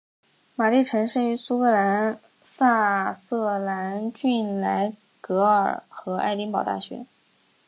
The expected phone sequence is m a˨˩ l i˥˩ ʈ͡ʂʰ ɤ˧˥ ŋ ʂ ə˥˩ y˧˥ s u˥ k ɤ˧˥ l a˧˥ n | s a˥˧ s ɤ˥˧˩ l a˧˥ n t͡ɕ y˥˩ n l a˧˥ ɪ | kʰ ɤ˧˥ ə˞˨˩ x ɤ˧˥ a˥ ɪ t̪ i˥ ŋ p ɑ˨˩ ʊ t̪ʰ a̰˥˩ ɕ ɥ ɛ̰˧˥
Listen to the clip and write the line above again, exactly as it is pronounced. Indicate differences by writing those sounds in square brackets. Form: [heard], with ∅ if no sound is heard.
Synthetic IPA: m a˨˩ l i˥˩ ʈ͡ʂʰ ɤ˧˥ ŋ ʂ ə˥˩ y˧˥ s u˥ k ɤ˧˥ l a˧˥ n | s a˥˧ s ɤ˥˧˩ l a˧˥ n t͡ɕ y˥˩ n l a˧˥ ɪ | [k] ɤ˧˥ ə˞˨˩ x ɤ˧˥ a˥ ɪ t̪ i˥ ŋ p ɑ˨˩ ʊ [t̪] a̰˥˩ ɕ ɥ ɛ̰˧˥